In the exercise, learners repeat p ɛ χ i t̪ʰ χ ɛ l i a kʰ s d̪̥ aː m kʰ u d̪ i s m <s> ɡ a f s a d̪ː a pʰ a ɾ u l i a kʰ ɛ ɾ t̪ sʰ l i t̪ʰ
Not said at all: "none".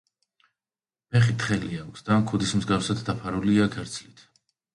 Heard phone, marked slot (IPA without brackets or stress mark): z